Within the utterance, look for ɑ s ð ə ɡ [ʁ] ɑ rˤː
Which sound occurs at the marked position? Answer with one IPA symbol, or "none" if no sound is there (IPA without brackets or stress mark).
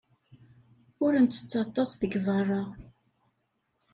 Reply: v